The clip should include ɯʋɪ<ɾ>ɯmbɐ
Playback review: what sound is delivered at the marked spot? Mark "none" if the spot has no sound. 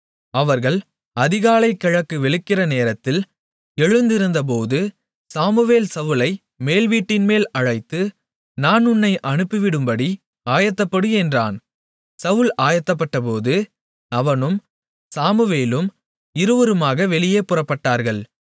ɽ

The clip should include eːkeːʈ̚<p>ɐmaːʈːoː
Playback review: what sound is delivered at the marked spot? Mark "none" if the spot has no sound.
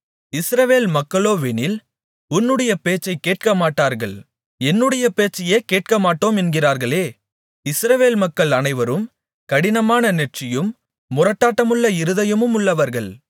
k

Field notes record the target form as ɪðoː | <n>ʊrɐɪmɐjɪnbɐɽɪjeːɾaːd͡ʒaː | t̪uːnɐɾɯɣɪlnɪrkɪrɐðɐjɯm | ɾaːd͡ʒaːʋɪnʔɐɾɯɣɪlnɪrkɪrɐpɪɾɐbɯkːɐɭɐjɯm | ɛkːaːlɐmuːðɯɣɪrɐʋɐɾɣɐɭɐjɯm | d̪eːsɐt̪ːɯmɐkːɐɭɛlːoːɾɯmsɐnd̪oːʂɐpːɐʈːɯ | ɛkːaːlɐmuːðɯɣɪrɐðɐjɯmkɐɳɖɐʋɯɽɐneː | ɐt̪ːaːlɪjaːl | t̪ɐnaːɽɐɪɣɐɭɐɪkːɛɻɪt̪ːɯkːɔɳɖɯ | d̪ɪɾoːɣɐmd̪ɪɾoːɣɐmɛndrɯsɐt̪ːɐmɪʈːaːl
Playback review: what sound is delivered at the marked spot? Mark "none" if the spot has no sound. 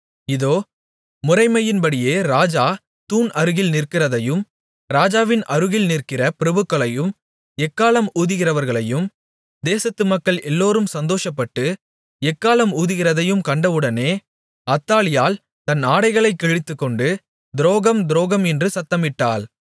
m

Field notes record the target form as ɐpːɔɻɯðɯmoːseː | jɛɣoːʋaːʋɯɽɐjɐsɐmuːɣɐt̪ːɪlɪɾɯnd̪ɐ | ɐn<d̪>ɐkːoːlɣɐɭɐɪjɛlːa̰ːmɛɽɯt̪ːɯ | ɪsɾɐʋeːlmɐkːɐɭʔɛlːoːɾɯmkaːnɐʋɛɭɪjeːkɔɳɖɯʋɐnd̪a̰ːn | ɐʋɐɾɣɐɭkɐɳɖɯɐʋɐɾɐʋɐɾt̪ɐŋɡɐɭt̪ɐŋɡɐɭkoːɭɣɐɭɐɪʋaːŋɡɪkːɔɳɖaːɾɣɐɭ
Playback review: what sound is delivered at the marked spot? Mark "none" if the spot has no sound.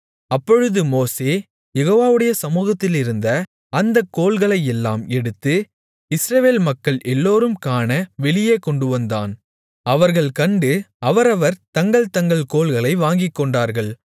d̪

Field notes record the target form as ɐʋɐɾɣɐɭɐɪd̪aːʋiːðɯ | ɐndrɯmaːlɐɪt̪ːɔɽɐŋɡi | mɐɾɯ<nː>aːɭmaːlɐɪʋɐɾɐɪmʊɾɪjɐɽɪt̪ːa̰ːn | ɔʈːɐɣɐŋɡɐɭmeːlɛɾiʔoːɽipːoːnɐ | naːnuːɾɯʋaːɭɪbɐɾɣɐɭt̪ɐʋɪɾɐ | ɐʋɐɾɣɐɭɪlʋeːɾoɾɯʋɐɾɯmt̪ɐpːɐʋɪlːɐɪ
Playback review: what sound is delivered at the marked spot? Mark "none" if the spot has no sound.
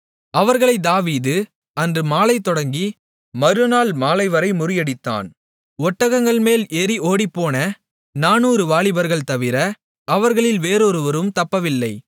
n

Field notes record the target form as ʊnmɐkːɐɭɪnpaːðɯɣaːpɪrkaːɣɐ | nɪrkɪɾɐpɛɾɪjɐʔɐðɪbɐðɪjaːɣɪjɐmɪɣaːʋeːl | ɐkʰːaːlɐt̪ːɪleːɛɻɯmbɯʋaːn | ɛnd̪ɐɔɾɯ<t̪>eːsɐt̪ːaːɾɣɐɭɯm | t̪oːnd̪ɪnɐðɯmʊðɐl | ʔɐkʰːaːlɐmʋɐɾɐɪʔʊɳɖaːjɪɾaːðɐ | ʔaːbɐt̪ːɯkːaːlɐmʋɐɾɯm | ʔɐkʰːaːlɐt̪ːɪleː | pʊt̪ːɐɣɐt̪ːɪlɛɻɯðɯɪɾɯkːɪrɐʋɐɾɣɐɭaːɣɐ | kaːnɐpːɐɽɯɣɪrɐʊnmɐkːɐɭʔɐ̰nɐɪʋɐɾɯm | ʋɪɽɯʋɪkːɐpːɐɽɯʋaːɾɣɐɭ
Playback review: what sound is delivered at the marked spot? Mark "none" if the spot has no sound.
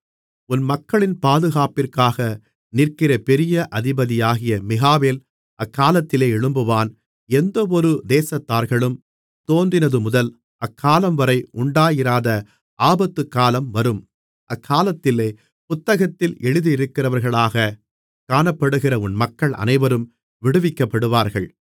d̪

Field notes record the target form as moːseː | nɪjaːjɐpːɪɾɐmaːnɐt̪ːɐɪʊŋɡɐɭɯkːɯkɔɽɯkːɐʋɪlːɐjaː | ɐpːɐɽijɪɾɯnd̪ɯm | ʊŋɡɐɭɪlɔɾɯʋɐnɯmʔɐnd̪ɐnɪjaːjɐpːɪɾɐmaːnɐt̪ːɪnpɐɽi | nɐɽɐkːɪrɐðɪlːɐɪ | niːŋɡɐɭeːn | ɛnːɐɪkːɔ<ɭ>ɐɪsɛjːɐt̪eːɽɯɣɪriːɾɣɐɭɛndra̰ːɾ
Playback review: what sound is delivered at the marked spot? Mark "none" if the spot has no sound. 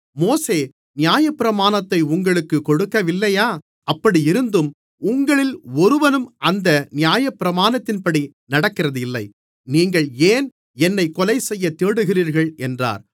l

